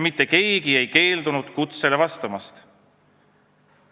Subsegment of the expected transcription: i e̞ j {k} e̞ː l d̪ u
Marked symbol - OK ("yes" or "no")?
yes